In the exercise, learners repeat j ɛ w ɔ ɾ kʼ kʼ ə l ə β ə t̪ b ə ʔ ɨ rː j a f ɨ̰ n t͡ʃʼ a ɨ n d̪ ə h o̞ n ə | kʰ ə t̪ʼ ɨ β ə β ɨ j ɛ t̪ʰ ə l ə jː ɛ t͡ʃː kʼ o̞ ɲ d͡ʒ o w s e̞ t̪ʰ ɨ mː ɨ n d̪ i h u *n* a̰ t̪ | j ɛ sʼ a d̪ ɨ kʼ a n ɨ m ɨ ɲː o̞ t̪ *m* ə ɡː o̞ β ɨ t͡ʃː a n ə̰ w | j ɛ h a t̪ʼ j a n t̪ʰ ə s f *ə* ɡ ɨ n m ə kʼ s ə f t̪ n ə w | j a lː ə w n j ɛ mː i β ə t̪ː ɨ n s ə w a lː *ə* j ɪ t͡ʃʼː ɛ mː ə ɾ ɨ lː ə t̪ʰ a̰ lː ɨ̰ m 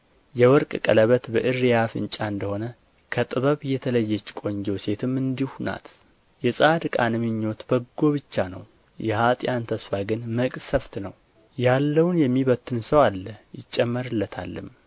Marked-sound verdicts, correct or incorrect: correct, incorrect: b, incorrect: a, correct

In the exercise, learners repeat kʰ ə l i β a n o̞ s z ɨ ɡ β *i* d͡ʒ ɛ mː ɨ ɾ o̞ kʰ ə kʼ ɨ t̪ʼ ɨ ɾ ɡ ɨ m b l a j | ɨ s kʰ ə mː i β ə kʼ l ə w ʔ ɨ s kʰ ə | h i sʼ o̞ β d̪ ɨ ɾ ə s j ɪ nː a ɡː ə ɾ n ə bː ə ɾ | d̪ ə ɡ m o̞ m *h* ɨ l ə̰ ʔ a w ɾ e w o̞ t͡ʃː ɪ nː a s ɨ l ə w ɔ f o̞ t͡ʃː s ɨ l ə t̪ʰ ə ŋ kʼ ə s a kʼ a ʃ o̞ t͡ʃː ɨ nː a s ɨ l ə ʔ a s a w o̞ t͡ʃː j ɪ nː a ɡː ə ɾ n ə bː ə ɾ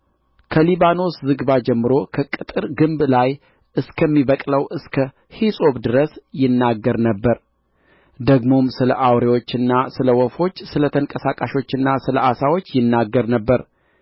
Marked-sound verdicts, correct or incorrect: incorrect: a, incorrect: s

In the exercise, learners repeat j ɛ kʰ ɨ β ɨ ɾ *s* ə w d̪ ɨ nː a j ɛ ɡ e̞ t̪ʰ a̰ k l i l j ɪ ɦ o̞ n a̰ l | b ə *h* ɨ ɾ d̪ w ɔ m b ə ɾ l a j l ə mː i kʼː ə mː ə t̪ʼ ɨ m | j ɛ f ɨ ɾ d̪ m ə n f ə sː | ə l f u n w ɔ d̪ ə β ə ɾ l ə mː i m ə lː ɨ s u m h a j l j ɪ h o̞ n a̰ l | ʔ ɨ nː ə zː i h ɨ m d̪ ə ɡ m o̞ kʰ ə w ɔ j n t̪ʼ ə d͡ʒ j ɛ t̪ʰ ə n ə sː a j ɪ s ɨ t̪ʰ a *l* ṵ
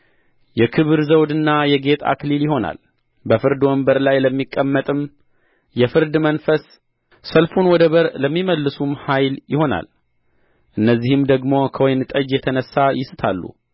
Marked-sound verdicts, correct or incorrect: incorrect: z, incorrect: f, incorrect: lː

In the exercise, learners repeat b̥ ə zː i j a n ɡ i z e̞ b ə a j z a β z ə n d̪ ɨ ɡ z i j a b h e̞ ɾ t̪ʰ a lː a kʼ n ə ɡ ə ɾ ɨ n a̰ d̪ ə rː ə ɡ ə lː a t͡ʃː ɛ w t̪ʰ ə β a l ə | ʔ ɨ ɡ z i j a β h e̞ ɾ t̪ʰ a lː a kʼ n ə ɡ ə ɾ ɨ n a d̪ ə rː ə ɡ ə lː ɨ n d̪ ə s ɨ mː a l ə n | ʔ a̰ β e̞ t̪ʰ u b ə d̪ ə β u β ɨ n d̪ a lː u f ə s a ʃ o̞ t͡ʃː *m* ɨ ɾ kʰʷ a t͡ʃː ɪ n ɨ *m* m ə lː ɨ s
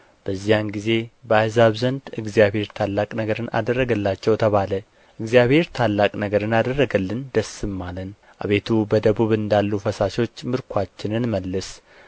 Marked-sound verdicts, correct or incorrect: correct, incorrect: n

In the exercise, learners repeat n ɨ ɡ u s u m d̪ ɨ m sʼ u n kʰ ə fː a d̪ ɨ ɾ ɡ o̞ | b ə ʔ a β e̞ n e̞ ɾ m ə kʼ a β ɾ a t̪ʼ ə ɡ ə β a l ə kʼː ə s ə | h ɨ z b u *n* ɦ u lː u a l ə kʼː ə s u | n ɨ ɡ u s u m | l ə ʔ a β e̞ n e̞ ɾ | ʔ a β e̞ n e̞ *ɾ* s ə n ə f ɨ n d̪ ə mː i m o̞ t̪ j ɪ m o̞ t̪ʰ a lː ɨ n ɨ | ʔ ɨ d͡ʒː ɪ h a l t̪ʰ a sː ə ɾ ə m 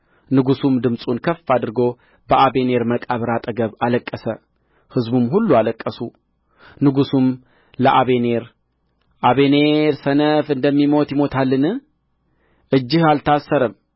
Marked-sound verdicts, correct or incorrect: incorrect: m, correct

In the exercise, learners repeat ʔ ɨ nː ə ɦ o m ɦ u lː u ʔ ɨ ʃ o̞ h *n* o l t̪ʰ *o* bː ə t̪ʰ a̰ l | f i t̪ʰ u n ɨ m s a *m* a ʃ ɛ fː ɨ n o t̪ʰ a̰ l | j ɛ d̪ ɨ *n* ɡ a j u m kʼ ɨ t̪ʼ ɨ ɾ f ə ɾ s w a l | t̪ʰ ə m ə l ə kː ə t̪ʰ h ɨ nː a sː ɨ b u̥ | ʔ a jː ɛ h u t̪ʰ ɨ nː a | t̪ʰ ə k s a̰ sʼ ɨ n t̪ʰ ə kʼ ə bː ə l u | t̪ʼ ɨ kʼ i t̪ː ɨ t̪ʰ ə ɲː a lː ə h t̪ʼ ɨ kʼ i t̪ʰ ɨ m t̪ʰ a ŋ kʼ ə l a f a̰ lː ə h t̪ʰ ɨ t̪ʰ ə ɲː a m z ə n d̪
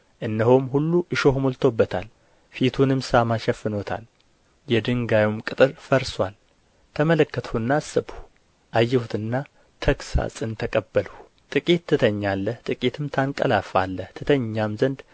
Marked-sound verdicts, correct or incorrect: incorrect: m, correct, correct, incorrect: ŋ

